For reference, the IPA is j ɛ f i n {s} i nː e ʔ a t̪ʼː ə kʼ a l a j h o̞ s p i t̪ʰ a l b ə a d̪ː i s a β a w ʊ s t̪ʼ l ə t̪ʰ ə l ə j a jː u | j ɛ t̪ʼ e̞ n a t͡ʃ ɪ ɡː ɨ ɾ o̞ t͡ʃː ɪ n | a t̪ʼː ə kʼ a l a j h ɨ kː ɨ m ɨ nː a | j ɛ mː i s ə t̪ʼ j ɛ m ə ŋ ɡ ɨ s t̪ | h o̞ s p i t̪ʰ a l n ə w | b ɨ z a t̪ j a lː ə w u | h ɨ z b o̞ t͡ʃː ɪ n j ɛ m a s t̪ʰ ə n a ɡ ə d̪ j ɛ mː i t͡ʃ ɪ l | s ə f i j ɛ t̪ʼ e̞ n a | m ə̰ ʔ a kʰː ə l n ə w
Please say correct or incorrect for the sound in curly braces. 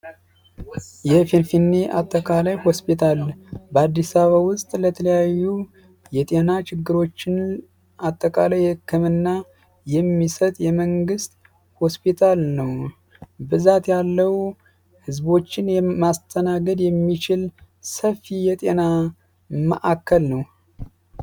incorrect